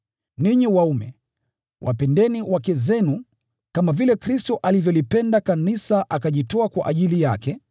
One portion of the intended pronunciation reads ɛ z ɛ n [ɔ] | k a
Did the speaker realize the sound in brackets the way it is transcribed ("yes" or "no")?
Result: no